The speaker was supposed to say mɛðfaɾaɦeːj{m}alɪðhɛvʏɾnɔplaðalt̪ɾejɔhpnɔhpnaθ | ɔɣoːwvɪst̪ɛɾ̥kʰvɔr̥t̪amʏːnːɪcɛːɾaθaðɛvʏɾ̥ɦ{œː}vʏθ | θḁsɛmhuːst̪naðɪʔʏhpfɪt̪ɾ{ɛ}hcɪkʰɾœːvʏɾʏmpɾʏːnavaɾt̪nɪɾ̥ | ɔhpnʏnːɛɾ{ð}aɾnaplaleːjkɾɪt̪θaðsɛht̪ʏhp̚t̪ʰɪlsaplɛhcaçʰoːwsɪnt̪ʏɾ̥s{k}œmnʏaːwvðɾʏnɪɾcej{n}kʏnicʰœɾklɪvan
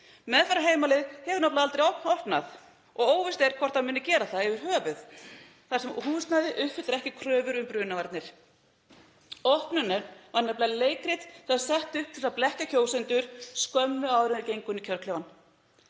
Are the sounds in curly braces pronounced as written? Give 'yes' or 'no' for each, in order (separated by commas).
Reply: yes, yes, yes, no, yes, no